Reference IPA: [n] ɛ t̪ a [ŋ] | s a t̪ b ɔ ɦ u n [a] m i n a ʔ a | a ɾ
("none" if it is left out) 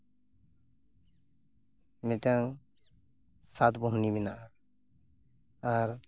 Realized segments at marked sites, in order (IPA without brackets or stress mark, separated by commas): m, ŋ, i